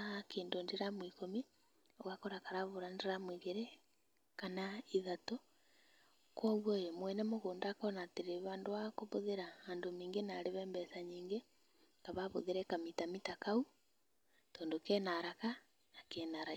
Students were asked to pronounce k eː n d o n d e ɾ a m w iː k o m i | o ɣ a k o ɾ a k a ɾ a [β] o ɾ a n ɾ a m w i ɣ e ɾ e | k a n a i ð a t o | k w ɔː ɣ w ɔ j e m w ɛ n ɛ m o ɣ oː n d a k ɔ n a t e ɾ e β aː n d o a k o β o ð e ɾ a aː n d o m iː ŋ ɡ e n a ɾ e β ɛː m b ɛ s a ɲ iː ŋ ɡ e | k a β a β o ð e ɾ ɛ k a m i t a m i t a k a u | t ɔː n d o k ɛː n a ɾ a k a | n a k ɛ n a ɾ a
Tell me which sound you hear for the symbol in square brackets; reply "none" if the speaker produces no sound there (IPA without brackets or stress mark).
β